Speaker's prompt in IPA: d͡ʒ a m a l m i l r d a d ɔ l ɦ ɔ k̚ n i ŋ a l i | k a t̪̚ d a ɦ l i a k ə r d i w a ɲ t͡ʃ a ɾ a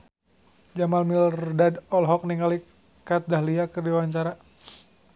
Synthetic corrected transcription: d͡ʒ a m a l m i l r d a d ɔ l ɦ ɔ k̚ n i ŋ a l i | k a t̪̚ d a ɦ l i a k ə r d i w a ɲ t͡ʃ a ɾ a